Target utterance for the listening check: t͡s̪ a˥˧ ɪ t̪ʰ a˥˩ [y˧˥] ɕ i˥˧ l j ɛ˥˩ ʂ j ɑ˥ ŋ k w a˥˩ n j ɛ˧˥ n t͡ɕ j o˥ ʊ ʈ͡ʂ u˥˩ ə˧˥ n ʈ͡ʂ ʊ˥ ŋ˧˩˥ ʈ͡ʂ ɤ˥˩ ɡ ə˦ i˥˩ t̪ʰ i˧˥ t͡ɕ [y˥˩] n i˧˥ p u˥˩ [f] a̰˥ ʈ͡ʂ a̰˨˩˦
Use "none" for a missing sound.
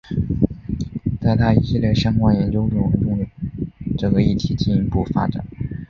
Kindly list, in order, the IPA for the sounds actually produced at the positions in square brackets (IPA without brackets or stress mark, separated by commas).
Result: i˧˥, i˥˩, f